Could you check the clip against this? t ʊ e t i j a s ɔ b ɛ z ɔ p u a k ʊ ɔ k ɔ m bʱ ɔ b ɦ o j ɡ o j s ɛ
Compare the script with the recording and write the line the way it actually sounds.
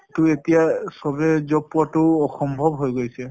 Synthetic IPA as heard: t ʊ e t i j a s ɔ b ɛ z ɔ p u a t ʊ ɔ x ɔ m bʱ ɔ b ɦ o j ɡ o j s ɛ

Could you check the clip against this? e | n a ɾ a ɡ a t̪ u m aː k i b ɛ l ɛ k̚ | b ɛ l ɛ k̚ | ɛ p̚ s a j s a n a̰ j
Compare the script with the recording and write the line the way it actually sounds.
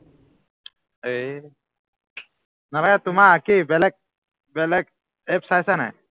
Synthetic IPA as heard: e | n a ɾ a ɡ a t̪ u m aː k i b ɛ l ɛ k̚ | b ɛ l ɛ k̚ | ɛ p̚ s a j s a n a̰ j

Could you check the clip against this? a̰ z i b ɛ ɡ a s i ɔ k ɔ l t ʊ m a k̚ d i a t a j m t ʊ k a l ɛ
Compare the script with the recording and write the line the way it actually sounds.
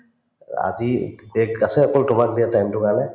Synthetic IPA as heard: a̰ z i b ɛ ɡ a s ɛ ɔ k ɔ l t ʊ m a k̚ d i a t a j m t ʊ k a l ɛ

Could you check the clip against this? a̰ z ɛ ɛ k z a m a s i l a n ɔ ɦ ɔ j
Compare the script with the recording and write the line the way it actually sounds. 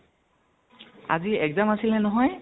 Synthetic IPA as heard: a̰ z i ɛ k z a m a s i l ɛ n ɔ ɦ ɔ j

